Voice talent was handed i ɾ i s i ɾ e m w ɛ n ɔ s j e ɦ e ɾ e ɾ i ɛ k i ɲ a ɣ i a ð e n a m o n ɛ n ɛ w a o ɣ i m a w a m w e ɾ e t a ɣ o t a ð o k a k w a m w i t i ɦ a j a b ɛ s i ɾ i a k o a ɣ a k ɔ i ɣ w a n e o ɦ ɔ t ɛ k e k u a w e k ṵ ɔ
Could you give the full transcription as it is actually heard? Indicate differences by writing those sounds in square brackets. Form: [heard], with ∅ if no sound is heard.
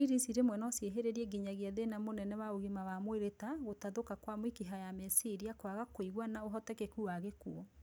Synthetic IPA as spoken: i ɾ i s i ɾ e m w ɛ n ɔ s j e ɦ e ɾ e ɾ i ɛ [ɡ] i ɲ a ɣ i a ð e n a m o n ɛ n ɛ w a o ɣ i m a w a m w e ɾ e t a ɣ o t a ð o k a k w a m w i [k] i ɦ a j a [m] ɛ s i ɾ i a k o a ɣ a k [o] i ɣ w a n [a] o ɦ ɔ t ɛ k e k u a [ɣ] e k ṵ ɔ